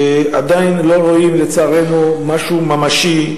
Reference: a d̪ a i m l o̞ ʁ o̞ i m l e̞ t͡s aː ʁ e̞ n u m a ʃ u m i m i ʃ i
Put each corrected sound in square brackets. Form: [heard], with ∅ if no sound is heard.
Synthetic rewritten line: a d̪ a i [n] l o̞ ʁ o̞ i m l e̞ t͡s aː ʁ e̞ n u m a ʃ u m [a] m [a] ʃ i